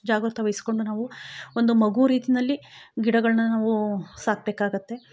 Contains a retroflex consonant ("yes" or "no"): yes